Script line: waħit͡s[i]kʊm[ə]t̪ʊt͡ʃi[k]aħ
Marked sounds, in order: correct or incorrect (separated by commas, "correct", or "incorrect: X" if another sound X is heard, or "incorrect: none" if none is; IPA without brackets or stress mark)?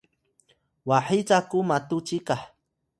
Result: incorrect: a, incorrect: a, correct